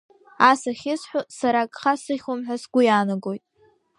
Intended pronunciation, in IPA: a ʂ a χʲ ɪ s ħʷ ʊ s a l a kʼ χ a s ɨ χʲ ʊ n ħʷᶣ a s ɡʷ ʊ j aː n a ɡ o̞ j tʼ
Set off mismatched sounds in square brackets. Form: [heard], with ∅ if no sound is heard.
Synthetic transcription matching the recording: a [s] a χʲ ɪ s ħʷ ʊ s a [ɾ] a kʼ χ a s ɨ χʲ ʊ [m] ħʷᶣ a s ɡʷ ʊ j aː n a ɡ o̞ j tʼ